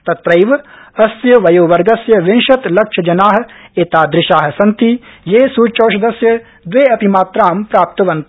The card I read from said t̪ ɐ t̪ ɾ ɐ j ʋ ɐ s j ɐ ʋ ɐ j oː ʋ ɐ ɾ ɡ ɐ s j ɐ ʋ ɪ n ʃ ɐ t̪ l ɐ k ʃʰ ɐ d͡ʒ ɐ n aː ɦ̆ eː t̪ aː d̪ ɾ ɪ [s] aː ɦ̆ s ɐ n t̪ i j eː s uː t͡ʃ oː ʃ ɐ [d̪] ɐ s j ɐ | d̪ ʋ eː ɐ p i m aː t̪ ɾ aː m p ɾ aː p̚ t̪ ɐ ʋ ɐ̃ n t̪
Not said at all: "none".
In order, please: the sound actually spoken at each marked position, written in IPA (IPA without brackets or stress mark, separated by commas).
ʃ, d̪